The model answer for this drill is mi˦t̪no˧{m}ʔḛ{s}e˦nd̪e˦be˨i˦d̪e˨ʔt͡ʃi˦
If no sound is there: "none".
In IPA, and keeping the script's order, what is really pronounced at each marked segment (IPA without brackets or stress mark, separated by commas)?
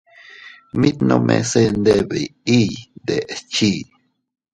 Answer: m, s